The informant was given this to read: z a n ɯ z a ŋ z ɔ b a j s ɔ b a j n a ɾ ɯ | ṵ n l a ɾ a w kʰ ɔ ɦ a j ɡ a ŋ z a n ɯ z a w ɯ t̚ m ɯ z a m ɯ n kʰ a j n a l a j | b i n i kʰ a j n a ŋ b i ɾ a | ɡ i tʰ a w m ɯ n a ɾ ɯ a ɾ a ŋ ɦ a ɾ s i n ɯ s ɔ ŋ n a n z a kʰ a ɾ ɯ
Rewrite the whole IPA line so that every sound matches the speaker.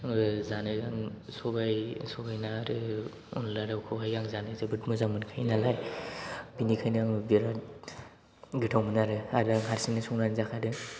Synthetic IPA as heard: z a n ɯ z a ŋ s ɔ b a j s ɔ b a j n a ɾ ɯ | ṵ n l a ɾ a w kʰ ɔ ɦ a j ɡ a ŋ z a n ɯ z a b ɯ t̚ m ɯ z a m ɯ n kʰ a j n a l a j | b i n i kʰ a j n a ŋ b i ɾ a | ɡ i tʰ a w m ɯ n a ɾ ɯ a ɾ a ŋ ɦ a ɾ s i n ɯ s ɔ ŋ n a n z a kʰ a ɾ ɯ